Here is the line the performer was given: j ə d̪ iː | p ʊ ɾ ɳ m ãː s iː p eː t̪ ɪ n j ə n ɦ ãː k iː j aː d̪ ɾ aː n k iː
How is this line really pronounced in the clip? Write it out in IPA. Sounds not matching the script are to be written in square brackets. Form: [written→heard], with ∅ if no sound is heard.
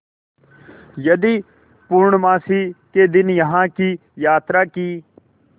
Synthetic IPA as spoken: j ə d̪ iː | p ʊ ɾ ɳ m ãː s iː [p→k] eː [t̪→d̪] ɪ n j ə [n→∅] ɦ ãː k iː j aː [d̪→t̪] ɾ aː [n→∅] k iː

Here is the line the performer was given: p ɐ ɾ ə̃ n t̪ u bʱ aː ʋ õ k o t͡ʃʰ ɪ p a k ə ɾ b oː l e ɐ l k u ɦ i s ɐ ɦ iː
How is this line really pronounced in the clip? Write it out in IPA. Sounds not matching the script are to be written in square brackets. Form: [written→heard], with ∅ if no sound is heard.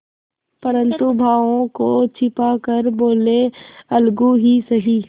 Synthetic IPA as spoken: p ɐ ɾ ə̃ n t̪ u bʱ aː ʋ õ k o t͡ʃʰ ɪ p a k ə ɾ b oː l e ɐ l [k→ɡ] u ɦ i s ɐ ɦ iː

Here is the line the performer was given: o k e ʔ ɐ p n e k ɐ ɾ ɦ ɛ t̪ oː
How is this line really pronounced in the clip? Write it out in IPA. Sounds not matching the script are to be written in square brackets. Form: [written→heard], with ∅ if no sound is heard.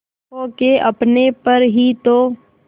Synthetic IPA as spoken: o k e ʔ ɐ p n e [k→p] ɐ ɾ ɦ [ɛ→i] t̪ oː

